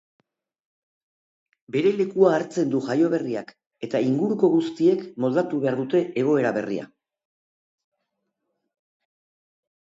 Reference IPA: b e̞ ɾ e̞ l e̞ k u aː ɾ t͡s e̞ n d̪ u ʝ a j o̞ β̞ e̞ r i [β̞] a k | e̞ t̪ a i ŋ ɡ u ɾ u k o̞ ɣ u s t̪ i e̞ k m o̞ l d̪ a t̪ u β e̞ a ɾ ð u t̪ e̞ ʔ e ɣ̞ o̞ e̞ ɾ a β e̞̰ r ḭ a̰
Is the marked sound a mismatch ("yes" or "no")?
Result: yes